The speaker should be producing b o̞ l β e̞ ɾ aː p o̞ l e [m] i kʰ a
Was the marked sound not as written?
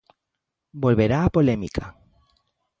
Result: no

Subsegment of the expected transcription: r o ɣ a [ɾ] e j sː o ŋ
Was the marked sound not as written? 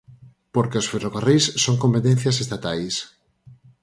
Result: yes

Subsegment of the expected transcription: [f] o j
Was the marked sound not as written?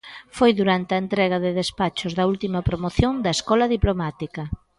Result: no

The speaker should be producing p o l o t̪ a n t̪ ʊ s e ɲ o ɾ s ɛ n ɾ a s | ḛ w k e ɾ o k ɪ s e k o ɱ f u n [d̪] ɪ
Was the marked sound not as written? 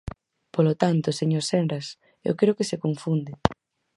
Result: no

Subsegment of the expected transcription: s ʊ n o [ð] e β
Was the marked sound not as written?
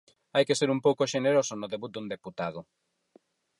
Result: no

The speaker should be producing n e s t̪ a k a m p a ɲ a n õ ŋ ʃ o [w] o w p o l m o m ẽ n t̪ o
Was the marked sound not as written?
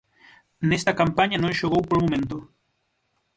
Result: yes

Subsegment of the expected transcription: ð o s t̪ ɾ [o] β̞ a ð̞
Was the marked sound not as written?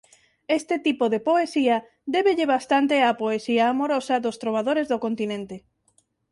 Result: no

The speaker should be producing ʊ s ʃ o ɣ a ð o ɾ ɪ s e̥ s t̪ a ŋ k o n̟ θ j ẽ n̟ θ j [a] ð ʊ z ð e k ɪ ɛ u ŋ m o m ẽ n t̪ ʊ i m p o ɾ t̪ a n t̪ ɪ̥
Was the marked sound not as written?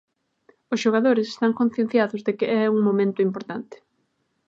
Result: no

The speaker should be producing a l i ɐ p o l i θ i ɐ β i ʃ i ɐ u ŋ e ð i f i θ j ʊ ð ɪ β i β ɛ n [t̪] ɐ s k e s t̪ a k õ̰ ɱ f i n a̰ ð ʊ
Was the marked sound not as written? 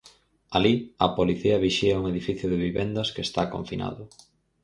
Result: yes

